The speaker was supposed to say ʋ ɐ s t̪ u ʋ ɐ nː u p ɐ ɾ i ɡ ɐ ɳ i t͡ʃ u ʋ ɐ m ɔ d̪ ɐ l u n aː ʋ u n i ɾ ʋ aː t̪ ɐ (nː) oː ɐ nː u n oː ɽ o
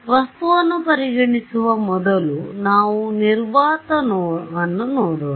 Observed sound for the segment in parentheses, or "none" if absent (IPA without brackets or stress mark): n